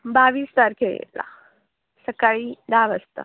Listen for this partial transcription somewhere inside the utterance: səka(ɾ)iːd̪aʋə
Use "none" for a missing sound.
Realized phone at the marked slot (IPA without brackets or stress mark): ɭ